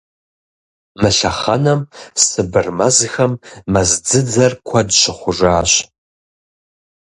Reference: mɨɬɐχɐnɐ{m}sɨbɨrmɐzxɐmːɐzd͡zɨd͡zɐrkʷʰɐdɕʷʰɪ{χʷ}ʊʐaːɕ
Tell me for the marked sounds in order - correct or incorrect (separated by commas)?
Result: correct, correct